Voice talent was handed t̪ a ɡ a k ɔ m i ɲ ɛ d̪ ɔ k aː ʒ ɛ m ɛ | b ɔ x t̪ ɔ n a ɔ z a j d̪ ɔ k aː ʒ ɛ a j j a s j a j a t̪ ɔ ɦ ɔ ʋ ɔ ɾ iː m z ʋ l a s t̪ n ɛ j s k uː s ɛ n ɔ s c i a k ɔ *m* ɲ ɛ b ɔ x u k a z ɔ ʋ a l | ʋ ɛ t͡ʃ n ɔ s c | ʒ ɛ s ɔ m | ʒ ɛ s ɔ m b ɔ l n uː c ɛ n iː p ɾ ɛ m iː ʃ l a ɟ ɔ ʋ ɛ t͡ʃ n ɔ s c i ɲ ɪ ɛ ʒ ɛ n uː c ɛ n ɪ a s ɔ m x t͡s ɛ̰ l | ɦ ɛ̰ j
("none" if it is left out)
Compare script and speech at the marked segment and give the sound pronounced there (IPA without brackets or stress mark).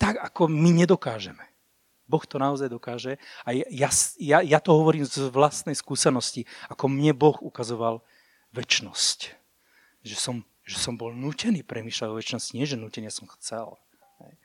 m